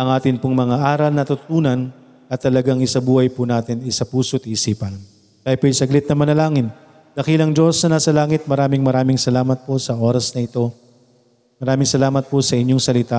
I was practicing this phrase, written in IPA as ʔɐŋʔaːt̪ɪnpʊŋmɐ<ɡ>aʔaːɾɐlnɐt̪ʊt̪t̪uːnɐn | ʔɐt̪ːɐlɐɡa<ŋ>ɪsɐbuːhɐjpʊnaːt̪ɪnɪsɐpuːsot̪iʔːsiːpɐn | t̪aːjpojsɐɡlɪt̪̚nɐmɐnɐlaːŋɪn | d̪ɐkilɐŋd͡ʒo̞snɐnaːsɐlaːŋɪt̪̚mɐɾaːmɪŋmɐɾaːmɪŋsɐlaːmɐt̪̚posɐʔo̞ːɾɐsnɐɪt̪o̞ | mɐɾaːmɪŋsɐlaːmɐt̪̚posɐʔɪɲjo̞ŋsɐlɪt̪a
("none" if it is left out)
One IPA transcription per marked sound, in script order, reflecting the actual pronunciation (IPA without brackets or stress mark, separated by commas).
ŋ, ŋ